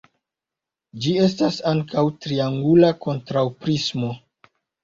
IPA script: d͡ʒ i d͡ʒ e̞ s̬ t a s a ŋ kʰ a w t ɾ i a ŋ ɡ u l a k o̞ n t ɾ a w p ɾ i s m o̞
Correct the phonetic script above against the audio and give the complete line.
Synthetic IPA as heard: d͡ʒ i e̞ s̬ t a s a ŋ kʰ a w t ɾ i a ŋ ɡ u l a k o̞ n t ɾ a w p ɾ i s m o̞